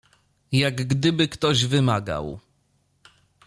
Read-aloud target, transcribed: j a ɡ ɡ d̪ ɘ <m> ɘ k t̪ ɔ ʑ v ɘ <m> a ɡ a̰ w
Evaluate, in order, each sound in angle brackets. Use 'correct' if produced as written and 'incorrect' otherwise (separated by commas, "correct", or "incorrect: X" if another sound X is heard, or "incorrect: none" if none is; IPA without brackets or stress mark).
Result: incorrect: b, correct